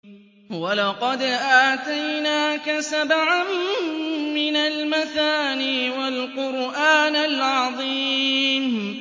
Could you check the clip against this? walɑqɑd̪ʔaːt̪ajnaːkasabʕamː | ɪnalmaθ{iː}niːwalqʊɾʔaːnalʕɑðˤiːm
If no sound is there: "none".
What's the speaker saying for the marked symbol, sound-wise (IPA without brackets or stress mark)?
aː